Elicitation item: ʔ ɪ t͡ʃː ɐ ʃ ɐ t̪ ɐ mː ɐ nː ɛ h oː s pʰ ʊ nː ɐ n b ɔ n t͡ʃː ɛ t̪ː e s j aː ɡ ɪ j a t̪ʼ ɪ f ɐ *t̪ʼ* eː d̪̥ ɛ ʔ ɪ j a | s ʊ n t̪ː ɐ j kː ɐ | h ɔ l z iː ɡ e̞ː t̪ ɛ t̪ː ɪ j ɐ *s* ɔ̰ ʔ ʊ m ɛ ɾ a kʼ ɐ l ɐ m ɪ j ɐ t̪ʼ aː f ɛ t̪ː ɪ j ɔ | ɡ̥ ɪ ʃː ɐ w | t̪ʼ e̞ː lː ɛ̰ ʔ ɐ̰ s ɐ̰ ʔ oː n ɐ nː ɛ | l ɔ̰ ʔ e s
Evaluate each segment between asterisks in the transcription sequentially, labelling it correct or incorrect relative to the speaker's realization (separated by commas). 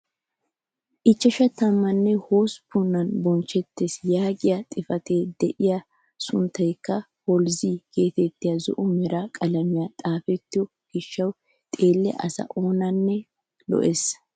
incorrect, incorrect